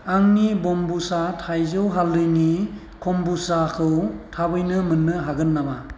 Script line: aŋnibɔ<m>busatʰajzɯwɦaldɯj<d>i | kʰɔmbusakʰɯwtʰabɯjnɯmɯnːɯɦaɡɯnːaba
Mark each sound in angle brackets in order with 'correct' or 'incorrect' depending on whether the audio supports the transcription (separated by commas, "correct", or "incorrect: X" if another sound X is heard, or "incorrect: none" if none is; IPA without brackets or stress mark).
correct, incorrect: n